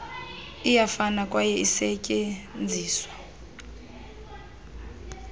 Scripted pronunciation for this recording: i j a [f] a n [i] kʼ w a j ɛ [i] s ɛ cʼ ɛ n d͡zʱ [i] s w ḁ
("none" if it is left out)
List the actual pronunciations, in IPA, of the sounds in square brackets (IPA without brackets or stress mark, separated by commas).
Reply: f, a, i, iː